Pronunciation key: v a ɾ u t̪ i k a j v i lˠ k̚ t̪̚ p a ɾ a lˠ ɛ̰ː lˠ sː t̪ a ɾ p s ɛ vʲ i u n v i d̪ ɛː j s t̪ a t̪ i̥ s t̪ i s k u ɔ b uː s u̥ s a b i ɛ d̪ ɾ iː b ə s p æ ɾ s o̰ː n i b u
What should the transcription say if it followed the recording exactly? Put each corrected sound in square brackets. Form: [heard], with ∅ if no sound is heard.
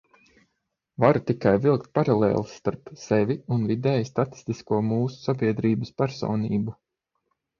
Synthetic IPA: v a ɾ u t̪ i k a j v i lˠ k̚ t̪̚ p a ɾ a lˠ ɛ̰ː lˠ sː t̪ a ɾ p s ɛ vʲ i u n v i d̪ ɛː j s t̪ a t̪ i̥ s t̪ i s k u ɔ [m] uː s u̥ s a b i ɛ d̪ ɾ iː b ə s p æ ɾ s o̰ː n [iː] b u